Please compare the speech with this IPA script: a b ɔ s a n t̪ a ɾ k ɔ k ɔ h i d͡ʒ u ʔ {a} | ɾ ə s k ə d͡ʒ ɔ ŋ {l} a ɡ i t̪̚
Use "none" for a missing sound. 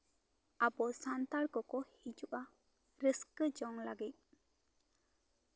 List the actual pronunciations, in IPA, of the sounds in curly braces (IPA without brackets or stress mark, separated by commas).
a, l